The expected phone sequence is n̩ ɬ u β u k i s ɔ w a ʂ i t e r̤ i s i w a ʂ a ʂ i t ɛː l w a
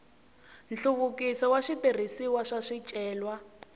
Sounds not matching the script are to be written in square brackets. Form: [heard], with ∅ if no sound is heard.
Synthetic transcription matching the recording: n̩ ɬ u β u k i s ɔ w a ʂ i t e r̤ i s i w a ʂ a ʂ i [t͡ʃʼ] ɛː l w a